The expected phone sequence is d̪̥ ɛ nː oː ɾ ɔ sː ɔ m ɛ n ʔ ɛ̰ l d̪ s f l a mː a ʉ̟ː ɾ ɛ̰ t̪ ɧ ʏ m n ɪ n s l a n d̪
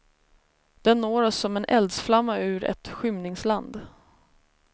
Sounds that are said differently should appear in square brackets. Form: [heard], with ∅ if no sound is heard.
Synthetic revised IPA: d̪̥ ɛ nː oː ɾ ɔ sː ɔ m ɛ n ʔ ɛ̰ l d̪ s f l a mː a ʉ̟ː ɾ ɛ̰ t̪ ɧ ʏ m n ɪ [ŋ] s l a n d̪